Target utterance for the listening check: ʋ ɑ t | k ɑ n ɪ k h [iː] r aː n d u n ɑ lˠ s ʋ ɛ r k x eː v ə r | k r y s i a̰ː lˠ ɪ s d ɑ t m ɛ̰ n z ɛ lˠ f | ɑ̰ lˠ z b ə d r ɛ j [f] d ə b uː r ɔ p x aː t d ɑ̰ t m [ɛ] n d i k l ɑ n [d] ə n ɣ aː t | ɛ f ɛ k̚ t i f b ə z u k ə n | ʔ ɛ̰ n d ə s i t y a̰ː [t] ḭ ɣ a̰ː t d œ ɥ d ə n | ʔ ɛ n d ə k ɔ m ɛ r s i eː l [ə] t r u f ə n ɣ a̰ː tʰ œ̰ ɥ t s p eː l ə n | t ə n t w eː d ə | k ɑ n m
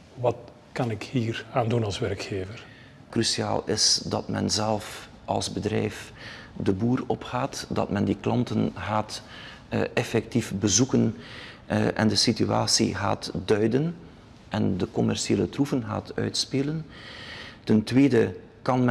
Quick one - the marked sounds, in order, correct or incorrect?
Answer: correct, correct, correct, incorrect: t, incorrect: s, correct

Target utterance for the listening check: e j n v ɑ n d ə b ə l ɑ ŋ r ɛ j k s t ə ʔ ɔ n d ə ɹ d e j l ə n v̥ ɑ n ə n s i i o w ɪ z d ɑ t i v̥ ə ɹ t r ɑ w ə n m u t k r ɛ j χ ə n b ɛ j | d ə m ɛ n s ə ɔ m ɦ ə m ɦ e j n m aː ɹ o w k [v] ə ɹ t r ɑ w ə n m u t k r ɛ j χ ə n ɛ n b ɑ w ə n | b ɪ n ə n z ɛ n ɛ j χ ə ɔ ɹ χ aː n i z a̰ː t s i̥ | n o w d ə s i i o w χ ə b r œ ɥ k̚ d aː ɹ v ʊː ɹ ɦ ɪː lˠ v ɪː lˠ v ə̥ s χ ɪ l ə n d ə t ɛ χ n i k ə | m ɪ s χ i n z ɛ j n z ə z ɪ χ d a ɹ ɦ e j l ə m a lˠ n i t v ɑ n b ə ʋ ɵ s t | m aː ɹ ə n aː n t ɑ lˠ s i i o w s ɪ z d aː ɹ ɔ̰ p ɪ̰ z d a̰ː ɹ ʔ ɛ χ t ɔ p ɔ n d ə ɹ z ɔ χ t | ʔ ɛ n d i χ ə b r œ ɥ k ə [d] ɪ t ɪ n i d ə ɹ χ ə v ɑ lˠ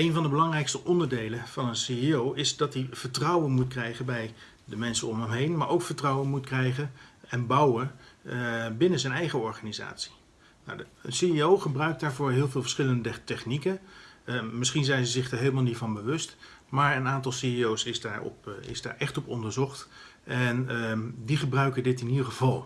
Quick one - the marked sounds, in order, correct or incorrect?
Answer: incorrect: f, correct

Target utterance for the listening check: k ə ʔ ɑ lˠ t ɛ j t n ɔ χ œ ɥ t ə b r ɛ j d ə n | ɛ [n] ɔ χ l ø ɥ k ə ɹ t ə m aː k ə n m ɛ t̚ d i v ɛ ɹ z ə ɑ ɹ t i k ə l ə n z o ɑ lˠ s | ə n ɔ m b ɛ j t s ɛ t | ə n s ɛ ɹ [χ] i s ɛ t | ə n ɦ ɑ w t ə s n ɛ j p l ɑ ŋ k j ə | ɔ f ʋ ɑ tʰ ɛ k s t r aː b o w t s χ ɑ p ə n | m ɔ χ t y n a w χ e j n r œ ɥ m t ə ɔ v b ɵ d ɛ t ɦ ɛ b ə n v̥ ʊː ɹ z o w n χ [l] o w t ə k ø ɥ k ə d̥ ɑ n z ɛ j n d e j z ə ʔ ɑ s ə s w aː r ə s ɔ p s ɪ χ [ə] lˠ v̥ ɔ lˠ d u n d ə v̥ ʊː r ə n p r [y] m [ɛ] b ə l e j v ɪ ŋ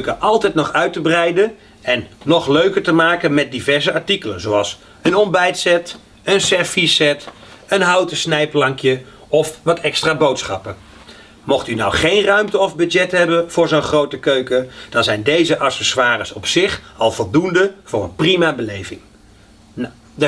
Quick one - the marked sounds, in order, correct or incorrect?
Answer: incorrect: nː, incorrect: f, incorrect: r, incorrect: ɑ, incorrect: i, incorrect: a

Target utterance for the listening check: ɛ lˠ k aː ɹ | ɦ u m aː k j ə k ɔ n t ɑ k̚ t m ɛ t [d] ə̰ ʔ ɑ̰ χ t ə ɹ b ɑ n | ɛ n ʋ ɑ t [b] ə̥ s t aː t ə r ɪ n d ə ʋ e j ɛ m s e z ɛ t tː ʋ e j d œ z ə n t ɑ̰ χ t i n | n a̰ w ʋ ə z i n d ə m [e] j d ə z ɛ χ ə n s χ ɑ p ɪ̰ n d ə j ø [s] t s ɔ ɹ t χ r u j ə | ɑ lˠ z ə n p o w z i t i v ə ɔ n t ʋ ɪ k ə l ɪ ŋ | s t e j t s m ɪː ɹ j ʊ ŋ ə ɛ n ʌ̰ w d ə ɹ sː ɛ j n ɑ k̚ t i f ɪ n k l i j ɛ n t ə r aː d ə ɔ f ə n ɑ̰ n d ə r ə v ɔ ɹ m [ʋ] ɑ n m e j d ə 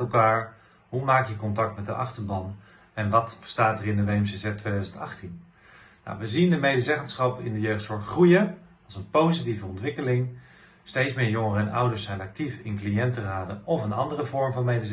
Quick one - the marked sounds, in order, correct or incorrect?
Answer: correct, correct, correct, incorrect: χ, incorrect: v

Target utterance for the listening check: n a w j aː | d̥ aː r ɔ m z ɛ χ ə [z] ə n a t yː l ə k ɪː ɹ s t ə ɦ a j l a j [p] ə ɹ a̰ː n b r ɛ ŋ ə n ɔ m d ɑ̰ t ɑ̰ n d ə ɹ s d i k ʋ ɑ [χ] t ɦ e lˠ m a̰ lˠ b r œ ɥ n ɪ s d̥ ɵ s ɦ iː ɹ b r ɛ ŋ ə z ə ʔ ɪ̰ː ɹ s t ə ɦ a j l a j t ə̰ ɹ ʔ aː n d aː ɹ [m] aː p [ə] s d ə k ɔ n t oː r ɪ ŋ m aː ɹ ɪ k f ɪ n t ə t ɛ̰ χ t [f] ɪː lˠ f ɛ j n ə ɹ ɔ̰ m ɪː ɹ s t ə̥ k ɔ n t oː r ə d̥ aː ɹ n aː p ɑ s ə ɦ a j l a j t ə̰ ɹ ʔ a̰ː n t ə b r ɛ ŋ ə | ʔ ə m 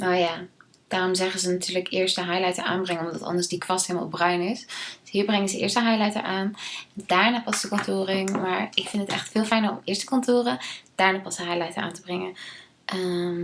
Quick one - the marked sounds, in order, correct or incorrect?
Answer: correct, incorrect: t, incorrect: s, incorrect: n, incorrect: ɑ, correct

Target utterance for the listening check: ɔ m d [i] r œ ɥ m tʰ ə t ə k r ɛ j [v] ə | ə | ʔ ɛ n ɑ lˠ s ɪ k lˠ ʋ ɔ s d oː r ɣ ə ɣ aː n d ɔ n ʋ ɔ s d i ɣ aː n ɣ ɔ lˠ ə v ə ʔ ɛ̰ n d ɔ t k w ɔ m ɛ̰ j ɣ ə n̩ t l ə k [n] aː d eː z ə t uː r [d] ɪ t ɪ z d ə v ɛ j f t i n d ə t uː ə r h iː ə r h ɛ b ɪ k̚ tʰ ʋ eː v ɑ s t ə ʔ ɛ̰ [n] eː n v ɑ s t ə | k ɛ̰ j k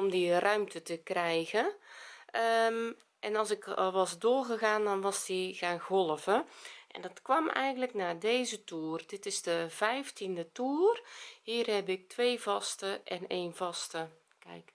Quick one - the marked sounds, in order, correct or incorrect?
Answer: correct, incorrect: ɣ, correct, correct, correct

